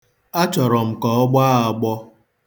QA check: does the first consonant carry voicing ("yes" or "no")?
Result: no